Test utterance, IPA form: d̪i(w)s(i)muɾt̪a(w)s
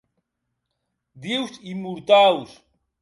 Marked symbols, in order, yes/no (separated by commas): yes, yes, yes